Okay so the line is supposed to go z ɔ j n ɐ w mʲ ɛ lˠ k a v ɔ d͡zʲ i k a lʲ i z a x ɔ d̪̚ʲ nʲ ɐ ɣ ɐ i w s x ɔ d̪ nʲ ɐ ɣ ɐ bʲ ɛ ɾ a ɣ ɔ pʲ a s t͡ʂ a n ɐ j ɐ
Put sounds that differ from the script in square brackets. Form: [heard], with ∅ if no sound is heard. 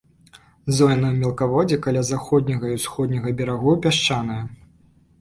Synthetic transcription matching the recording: z ɔ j n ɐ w mʲ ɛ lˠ k a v ɔ d͡zʲ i k a lʲ [a] z a x ɔ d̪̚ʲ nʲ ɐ ɣ ɐ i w s x ɔ d̪ nʲ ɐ ɣ ɐ bʲ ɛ ɾ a ɣ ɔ pʲ a [ʂ] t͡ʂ a n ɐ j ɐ